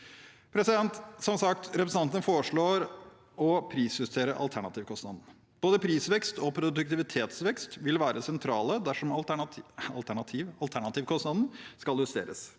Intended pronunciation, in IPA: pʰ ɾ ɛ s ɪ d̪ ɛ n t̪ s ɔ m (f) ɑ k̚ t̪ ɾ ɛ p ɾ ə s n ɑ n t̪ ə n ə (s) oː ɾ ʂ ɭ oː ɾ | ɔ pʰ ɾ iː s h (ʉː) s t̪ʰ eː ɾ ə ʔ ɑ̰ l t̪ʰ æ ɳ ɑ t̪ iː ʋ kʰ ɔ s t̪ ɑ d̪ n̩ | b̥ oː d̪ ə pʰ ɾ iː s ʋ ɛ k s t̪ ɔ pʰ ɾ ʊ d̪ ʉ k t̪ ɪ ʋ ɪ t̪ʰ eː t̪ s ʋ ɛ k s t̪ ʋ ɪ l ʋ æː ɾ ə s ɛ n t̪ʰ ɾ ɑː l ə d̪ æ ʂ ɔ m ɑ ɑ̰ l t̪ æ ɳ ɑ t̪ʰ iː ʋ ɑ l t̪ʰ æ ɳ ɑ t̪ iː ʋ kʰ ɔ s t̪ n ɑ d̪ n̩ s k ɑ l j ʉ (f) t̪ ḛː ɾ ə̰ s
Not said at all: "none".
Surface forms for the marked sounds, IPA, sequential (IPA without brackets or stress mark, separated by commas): s, f, ʉ, s